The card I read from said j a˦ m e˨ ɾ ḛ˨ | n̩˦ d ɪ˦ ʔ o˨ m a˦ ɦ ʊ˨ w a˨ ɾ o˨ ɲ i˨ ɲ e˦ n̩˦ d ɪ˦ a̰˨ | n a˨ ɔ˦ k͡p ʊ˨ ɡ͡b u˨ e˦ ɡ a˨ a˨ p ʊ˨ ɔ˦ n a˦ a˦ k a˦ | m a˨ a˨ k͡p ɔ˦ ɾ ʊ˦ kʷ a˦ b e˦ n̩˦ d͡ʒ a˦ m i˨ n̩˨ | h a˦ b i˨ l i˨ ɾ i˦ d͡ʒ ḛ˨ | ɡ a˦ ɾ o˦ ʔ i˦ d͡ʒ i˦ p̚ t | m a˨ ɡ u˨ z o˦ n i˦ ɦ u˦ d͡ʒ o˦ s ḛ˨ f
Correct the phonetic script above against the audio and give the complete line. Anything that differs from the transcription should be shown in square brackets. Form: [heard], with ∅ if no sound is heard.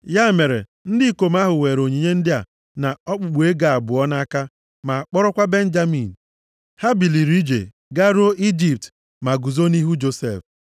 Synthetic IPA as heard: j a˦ m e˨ ɾ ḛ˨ | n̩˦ d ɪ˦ [k] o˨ m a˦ ɦ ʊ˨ w [e˨] ɾ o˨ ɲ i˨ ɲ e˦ n̩˦ d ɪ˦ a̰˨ | n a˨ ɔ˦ k͡p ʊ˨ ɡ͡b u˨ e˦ ɡ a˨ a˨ [b] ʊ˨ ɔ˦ n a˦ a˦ k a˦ | m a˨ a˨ k͡p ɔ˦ ɾ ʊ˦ kʷ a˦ b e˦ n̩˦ d͡ʒ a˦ m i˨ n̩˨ | h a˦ b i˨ l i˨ ɾ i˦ d͡ʒ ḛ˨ | ɡ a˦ ɾ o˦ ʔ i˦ d͡ʒ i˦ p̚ t | m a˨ ɡ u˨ z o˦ n i˦ ɦ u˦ d͡ʒ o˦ s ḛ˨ f